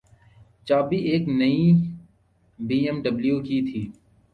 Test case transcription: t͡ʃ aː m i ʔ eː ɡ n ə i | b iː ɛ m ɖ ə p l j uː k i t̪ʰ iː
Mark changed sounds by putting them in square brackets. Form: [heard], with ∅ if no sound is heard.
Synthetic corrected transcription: t͡ʃ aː [b] i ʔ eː [k] n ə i | b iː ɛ m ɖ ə [b] l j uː k i t̪ʰ iː